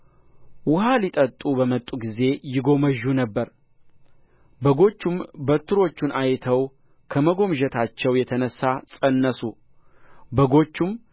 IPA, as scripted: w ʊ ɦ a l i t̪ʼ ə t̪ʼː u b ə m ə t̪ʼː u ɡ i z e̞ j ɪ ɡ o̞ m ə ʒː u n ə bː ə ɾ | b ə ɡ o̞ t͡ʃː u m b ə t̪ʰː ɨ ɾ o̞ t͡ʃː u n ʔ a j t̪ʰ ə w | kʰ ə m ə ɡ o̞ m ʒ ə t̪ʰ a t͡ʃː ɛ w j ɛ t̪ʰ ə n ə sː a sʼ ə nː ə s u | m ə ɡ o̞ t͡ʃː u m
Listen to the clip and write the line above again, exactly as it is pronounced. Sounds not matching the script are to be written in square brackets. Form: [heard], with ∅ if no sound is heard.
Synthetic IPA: w ʊ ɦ a l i t̪ʼ ə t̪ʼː u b ə m ə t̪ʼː u ɡ i z e̞ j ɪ ɡ o̞ m ə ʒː u n ə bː ə ɾ | b ə ɡ o̞ t͡ʃː u m b ə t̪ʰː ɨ ɾ o̞ t͡ʃː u n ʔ a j t̪ʰ ə w | kʰ ə m ə ɡ o̞ m ʒ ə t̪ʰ a t͡ʃː ɛ w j ɛ t̪ʰ ə n ə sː a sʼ ə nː ə s u | [b] ə ɡ o̞ t͡ʃː u m